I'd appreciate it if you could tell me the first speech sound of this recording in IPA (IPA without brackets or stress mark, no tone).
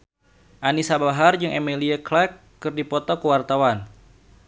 ʔ